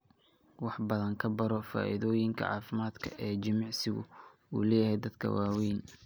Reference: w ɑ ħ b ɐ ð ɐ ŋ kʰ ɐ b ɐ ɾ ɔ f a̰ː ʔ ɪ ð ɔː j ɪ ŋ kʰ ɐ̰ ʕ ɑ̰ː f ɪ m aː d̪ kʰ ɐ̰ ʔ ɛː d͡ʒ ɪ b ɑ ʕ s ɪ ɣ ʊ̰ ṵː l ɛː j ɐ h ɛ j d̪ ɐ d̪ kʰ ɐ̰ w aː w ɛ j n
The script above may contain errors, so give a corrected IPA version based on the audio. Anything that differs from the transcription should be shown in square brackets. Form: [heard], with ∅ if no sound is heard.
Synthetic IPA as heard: w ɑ ħ b ɐ ð ɐ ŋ kʰ ɐ b ɐ ɾ ɔ f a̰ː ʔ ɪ ð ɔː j ɪ ŋ kʰ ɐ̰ ʕ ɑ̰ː f ɪ m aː d̪ kʰ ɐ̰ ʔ ɛː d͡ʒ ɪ [m] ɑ ʕ s ɪ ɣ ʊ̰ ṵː l ɛː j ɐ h ɛ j d̪ ɐ d̪ kʰ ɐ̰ w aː w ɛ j n